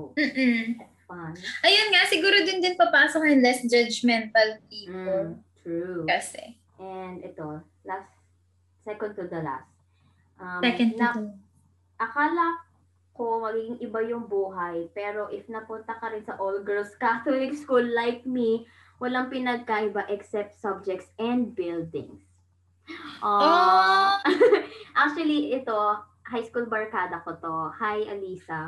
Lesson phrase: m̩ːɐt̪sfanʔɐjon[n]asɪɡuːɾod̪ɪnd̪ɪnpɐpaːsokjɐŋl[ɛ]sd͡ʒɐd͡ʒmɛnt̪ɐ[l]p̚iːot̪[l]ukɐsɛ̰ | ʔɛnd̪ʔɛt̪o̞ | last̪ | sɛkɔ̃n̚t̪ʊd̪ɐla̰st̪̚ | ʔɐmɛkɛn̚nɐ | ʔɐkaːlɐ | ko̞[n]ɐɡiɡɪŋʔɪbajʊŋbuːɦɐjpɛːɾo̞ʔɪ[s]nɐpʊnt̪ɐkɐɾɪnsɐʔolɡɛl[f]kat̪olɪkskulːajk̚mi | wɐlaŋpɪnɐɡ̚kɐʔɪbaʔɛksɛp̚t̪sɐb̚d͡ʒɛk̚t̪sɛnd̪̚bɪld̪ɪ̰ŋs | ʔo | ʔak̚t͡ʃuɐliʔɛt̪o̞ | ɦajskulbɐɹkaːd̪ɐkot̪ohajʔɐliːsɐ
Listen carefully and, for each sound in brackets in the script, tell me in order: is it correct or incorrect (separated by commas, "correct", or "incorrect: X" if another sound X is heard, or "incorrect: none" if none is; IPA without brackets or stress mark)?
incorrect: ŋ, correct, correct, incorrect: ɹ, incorrect: m, incorrect: f, incorrect: s